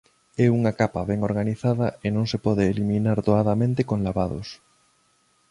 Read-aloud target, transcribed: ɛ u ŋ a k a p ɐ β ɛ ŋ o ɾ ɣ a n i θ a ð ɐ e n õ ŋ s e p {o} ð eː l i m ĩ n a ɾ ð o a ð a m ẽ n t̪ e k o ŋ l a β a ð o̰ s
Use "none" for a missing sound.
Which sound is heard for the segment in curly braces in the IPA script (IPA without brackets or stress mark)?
ɔ